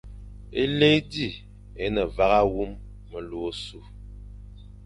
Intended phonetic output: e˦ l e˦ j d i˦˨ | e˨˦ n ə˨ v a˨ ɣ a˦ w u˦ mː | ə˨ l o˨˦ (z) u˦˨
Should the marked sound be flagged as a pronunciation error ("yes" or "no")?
yes